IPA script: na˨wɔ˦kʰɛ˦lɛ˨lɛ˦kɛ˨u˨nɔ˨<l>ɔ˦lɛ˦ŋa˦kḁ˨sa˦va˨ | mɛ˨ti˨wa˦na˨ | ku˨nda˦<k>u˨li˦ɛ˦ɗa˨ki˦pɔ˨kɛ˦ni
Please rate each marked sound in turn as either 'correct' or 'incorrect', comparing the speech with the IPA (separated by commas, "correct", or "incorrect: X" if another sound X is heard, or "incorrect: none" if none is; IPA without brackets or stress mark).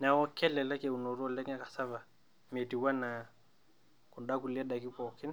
incorrect: ɾ, correct